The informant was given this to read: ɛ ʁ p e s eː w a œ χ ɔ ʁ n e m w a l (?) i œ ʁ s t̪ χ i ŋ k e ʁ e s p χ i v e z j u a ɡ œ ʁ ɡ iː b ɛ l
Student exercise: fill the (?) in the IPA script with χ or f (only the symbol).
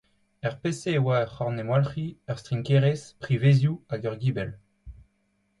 χ